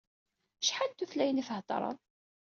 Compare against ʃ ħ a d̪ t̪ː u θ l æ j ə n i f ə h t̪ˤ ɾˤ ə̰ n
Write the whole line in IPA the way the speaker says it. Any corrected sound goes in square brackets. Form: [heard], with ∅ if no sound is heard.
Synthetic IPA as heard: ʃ ħ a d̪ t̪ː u θ l æ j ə n i f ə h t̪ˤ ɾˤ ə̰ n